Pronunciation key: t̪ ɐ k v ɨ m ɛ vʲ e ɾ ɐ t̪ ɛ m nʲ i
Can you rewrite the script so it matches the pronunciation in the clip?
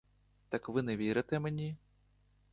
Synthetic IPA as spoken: t̪ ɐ k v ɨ n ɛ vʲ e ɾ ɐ t̪ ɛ m nʲ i